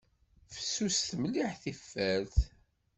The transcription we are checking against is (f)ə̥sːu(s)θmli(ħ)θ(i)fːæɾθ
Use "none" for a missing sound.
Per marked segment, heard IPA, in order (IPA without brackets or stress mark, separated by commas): f, s, ħ, i